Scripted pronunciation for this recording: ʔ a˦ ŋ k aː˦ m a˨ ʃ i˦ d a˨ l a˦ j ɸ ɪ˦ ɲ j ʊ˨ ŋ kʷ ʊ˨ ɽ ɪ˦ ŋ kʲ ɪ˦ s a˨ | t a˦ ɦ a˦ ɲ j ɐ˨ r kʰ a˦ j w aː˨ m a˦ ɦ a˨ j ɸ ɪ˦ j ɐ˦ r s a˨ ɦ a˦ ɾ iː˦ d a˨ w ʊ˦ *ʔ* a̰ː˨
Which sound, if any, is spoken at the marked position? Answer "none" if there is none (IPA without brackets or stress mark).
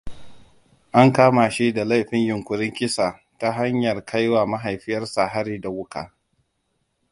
k